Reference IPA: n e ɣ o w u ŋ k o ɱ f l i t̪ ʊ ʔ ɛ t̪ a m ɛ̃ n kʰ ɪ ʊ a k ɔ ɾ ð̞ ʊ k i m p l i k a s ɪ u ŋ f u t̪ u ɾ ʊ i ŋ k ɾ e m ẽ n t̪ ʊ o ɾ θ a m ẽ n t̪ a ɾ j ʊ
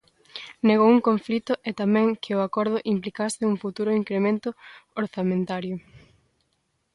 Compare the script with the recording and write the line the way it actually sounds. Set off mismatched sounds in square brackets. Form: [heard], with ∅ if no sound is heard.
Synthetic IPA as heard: n e ɣ o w u ŋ k o ɱ f l i t̪ ʊ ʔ ɛ t̪ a m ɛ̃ [ŋ] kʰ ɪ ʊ a k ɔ ɾ ð̞ ʊ [ʔ] i m p l i k a s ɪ u ŋ f u t̪ u ɾ ʊ i ŋ k ɾ e m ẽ n t̪ ʊ o ɾ θ a m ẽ n t̪ a ɾ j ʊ